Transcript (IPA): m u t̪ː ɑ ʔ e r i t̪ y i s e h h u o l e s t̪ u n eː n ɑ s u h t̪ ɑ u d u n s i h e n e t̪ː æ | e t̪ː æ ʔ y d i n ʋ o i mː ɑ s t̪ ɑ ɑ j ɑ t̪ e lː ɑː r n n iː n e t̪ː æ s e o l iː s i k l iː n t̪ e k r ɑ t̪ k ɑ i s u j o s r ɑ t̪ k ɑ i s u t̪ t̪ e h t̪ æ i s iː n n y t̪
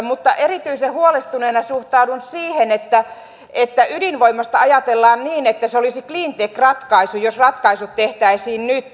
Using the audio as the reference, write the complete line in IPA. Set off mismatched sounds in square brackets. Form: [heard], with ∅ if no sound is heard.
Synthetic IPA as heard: m u t̪ː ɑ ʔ e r i t̪ y i s e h h u o l e s t̪ u n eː n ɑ s u h t̪ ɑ u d u n s [iː] h e n e t̪ː æ | e t̪ː æ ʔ y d i n ʋ o i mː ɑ s t̪ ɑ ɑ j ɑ t̪ e lː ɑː [∅] n n iː n e t̪ː æ s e o l [i] s i k l iː n t̪ e k r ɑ t̪ k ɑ i s u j o s r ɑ t̪ k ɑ i s u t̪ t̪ e h t̪ æ i s iː n n y t̪